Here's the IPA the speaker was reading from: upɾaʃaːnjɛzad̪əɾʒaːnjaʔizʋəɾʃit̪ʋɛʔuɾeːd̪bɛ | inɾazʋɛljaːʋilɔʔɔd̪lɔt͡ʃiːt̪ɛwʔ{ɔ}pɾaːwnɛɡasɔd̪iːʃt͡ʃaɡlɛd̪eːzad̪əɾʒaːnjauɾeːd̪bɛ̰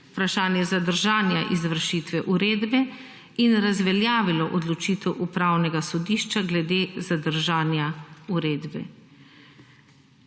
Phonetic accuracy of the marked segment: incorrect: u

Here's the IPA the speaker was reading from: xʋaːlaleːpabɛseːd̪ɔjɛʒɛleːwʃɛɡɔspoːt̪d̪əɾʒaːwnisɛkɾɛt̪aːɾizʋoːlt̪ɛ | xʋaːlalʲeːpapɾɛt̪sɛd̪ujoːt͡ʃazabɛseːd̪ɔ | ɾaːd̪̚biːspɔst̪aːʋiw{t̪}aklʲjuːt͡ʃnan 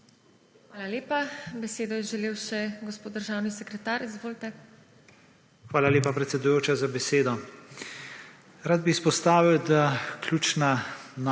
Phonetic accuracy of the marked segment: incorrect: d̪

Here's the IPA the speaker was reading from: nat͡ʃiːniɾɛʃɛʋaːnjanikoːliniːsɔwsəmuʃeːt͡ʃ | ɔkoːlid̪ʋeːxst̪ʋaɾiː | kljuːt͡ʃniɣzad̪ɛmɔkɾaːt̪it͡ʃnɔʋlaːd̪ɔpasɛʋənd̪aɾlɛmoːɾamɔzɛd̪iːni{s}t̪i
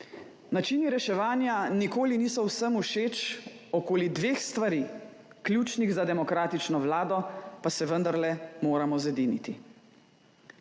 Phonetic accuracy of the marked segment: incorrect: none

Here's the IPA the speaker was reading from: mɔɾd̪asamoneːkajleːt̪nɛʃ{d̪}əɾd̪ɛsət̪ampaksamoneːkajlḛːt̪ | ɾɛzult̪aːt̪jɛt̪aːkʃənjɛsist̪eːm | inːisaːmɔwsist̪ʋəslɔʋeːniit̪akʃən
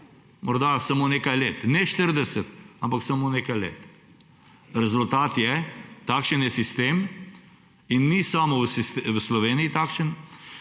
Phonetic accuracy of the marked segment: incorrect: t̪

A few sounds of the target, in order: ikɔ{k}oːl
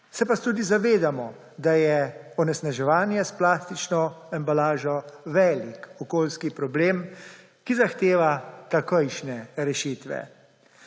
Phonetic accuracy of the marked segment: correct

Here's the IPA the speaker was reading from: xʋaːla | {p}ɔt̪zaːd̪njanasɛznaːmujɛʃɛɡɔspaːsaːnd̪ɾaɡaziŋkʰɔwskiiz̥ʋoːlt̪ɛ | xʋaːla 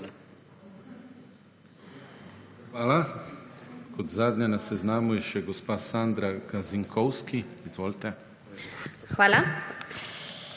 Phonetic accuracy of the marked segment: incorrect: k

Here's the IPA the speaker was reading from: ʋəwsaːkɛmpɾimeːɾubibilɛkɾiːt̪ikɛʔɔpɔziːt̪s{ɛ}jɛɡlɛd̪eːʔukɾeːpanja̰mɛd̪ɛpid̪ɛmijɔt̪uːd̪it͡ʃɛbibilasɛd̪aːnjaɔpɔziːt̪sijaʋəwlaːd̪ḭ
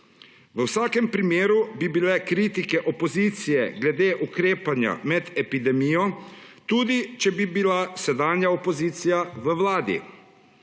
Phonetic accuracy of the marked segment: incorrect: i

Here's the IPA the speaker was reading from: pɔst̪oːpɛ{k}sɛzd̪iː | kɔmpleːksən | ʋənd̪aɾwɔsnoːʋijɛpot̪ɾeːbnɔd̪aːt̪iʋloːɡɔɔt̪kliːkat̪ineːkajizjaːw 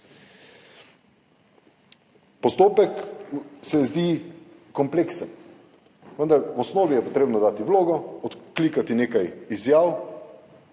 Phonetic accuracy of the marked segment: correct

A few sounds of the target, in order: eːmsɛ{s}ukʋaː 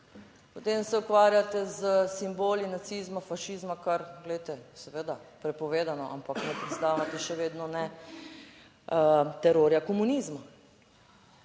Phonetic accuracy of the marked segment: incorrect: none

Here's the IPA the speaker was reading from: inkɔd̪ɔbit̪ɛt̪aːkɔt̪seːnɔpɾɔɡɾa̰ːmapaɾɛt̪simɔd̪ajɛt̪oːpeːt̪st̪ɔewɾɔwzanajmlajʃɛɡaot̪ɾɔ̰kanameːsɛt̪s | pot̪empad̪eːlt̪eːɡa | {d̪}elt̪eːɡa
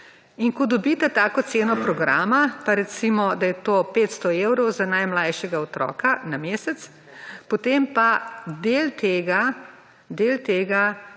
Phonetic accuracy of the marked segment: correct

